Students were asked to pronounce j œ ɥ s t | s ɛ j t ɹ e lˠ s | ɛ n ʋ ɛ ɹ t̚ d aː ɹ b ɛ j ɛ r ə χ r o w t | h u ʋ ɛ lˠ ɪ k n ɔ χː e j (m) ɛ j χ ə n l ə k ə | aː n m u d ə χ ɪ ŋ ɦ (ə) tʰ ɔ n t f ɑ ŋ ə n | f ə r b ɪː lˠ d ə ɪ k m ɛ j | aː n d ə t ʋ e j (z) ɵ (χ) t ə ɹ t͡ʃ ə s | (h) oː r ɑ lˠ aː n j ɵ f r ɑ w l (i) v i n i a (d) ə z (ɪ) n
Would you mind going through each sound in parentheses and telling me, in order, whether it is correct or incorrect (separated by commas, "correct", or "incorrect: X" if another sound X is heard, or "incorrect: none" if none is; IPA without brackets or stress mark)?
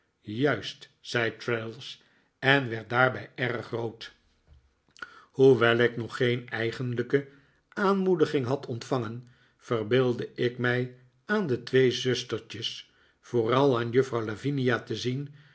incorrect: n, incorrect: ɑ, correct, incorrect: s, incorrect: f, incorrect: a, incorrect: t, incorrect: i